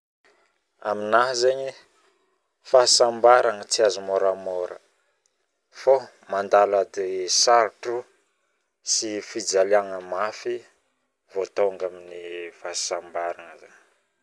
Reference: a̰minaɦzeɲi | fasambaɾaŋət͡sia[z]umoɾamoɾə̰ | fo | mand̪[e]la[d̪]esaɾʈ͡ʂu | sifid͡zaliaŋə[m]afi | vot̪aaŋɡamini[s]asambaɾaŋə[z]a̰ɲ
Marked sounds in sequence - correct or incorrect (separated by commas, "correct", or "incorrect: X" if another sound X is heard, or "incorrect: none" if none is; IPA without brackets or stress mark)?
correct, incorrect: a, correct, correct, incorrect: f, correct